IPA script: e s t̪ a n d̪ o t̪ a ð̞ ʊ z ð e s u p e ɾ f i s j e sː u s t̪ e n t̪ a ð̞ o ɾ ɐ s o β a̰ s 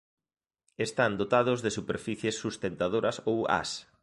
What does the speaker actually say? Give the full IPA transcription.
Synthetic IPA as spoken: e s t̪ a n d̪ o t̪ a ð̞ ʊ z ð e s u p e ɾ f i θ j e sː u s t̪ e n t̪ a ð̞ o ɾ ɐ s o w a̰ s